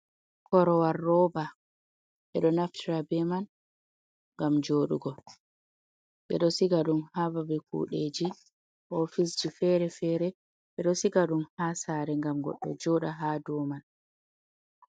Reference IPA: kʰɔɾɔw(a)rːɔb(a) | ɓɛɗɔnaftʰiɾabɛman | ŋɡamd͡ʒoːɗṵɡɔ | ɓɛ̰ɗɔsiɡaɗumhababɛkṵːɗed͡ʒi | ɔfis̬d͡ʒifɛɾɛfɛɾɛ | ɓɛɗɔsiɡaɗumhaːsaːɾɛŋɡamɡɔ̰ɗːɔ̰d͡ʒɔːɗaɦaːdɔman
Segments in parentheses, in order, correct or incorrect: correct, correct

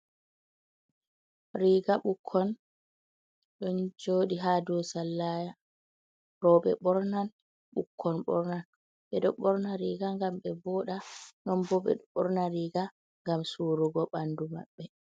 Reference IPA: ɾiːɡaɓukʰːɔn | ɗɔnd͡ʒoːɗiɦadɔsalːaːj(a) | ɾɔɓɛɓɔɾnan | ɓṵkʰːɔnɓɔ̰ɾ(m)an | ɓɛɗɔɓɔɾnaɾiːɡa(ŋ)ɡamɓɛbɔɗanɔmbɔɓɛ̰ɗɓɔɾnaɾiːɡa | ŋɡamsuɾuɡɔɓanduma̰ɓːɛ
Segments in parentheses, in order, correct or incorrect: correct, incorrect: n, correct

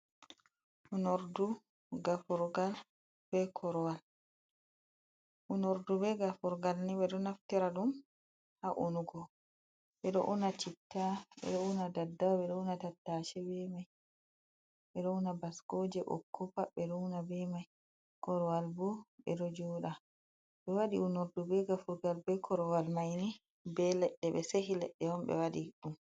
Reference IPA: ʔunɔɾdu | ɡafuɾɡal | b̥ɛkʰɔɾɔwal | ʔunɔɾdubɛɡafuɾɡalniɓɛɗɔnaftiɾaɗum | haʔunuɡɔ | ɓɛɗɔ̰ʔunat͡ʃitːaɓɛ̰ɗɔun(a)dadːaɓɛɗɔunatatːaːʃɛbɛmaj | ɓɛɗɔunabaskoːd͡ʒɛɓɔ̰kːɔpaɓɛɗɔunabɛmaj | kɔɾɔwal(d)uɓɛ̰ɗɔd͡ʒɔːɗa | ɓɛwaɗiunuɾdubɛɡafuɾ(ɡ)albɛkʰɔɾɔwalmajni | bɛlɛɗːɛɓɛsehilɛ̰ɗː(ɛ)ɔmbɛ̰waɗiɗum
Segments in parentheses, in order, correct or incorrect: correct, incorrect: b, correct, correct

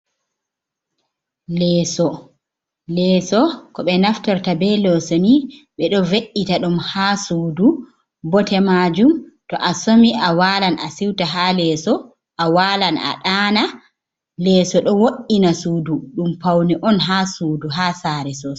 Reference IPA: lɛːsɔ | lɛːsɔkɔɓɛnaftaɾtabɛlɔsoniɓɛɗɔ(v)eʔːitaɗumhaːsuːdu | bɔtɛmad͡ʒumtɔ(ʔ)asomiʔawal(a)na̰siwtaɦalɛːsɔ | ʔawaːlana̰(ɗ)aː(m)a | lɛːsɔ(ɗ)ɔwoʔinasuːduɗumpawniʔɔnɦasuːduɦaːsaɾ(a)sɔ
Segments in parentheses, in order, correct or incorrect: correct, correct, correct, correct, incorrect: n, correct, incorrect: ɛ

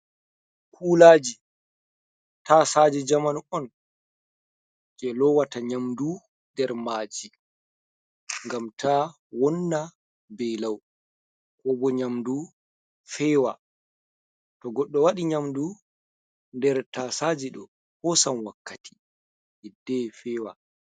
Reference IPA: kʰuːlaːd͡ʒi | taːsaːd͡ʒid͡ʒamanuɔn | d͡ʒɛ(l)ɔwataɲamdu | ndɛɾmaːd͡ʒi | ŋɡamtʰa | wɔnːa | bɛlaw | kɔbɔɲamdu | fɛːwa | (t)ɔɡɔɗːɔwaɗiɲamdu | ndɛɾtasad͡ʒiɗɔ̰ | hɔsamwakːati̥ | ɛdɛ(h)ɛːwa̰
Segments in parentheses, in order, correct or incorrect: correct, correct, incorrect: f

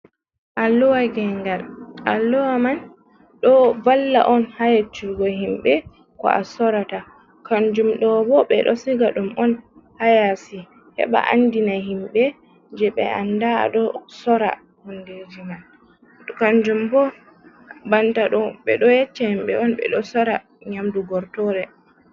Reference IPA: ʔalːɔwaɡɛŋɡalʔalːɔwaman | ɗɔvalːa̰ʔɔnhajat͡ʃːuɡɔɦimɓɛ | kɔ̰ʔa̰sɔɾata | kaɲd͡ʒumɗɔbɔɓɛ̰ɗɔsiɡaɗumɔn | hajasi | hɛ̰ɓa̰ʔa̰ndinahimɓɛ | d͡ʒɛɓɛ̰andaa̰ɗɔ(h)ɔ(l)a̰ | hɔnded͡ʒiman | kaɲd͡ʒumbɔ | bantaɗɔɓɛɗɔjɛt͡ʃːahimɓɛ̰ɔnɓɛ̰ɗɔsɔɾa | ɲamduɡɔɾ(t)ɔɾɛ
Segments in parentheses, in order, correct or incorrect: incorrect: s, incorrect: ɾ, correct

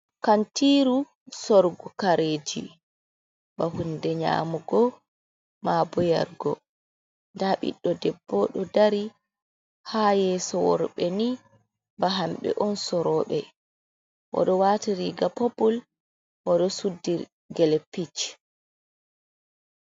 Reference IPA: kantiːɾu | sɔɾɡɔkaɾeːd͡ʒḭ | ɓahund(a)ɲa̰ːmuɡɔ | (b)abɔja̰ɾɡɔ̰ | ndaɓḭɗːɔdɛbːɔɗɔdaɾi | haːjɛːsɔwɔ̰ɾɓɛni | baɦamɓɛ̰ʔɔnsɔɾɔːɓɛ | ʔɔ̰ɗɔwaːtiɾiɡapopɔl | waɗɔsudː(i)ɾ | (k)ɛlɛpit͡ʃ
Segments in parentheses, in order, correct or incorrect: incorrect: ɛ, incorrect: m, correct, incorrect: ɡ

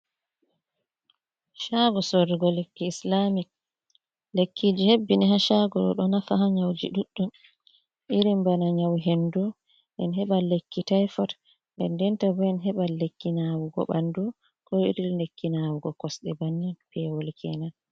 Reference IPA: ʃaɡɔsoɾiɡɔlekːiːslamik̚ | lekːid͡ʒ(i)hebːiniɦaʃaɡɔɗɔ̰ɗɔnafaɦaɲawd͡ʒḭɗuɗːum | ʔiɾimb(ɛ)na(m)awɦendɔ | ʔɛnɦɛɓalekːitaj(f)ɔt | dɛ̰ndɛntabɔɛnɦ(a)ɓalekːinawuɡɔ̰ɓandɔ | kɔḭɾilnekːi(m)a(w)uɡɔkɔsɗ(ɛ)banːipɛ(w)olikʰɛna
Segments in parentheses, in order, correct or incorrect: correct, incorrect: a, incorrect: ɲ, correct, incorrect: ɛ, incorrect: n, correct, correct, correct

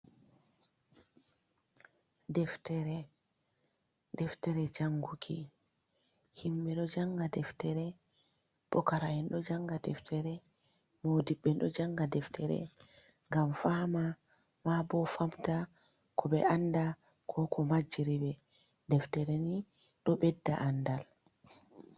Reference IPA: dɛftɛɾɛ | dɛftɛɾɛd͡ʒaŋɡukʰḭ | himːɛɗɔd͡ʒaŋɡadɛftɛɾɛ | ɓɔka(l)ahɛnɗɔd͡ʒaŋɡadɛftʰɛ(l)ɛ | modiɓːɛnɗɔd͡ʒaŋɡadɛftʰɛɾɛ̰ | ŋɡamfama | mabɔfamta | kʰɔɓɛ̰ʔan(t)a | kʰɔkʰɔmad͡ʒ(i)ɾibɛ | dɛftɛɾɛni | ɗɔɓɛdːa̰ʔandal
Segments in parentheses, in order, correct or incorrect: incorrect: ɾ, incorrect: ɾ, incorrect: d, correct

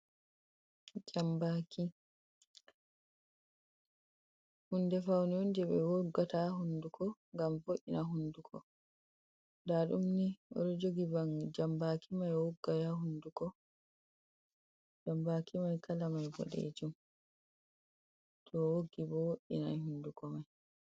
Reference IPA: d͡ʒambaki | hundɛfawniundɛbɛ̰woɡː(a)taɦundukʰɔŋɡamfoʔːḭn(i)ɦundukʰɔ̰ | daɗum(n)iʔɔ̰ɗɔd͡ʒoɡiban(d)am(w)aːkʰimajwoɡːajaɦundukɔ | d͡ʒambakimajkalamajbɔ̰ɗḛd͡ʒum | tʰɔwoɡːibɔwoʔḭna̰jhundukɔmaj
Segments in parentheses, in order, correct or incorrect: correct, incorrect: a, correct, incorrect: d͡ʒ, incorrect: b

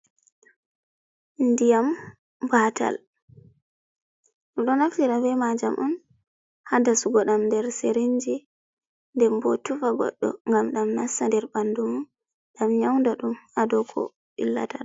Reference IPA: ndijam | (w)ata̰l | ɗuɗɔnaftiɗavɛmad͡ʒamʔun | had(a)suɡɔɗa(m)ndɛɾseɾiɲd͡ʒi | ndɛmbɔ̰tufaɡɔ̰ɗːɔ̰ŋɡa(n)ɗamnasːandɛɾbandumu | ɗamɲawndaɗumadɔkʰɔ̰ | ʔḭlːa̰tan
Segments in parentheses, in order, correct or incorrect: incorrect: b, correct, correct, incorrect: m

